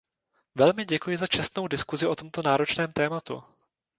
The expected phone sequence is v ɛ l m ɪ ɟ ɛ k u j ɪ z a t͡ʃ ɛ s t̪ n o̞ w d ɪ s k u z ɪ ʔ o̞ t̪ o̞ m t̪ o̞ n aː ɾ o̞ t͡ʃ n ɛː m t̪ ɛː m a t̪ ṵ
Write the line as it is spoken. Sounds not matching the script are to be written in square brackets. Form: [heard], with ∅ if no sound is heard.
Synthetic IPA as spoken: v ɛ l m ɪ ɟ ɛ k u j ɪ z a t͡ʃ ɛ s t̪ n o̞ w d ɪ s k u z ɪ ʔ o̞ t̪ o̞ m t̪ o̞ n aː ɾ o̞ t͡ʃ n ɛː m t̪ ɛː m a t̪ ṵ